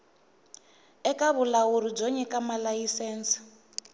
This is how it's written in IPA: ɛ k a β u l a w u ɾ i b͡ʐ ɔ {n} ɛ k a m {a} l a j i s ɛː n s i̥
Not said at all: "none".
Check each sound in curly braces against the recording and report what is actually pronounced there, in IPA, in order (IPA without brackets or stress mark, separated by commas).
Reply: ɲ, a